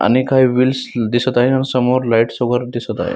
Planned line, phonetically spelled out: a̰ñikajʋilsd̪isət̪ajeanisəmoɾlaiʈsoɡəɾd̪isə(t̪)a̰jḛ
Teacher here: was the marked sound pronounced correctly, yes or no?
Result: yes